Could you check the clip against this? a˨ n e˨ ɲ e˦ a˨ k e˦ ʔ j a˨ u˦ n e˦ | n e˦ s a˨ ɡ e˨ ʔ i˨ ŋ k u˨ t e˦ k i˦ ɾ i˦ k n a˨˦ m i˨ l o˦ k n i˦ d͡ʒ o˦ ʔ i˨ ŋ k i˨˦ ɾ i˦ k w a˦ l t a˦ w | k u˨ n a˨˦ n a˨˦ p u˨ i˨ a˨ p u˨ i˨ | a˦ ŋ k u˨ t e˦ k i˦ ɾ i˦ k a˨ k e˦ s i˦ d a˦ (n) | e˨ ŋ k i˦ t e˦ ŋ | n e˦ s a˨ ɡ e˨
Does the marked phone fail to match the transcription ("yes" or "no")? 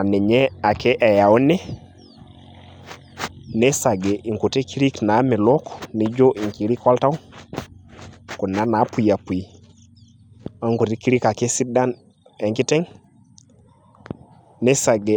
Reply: no